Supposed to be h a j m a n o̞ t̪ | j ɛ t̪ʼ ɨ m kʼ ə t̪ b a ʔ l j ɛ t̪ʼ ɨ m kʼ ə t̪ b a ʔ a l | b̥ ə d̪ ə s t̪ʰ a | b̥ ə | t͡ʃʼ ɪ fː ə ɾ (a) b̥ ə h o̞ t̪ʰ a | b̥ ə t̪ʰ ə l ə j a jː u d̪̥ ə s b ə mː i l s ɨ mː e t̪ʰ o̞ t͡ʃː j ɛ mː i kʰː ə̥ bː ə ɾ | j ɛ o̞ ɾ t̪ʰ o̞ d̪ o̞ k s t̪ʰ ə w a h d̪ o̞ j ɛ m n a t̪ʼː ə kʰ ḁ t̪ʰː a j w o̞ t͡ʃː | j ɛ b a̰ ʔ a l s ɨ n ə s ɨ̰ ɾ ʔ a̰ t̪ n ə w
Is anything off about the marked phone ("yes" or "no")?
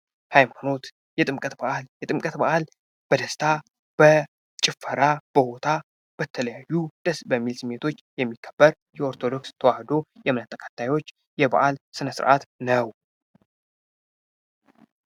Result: no